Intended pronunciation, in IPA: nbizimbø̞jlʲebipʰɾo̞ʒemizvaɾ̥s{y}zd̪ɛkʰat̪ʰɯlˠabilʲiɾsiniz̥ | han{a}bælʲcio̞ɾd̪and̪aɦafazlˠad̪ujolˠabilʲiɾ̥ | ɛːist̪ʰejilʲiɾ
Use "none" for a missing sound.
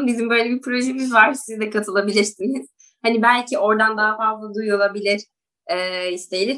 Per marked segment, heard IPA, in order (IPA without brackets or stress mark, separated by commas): i, i